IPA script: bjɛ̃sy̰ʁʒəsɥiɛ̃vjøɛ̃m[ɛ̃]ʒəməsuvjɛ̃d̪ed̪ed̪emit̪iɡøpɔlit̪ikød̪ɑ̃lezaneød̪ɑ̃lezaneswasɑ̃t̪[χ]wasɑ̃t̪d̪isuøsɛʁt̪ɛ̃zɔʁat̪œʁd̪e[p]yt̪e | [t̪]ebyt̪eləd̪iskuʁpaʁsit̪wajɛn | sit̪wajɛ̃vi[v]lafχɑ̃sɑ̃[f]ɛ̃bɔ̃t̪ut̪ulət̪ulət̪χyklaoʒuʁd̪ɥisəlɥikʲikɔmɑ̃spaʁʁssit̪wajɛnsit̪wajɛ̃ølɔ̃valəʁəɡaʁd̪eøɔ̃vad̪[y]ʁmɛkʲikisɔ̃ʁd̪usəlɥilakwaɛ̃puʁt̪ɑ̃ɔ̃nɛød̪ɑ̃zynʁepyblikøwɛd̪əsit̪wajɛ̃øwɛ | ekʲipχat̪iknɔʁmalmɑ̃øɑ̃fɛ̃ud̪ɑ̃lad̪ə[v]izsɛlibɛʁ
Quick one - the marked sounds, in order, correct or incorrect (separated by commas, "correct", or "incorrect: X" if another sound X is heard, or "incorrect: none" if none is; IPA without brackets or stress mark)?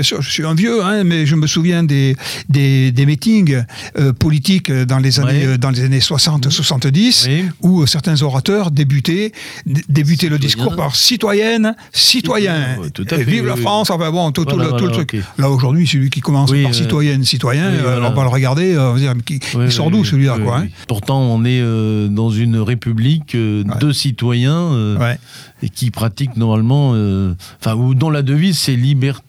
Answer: incorrect: ɛ, incorrect: s, incorrect: b, incorrect: d̪, correct, correct, incorrect: i, correct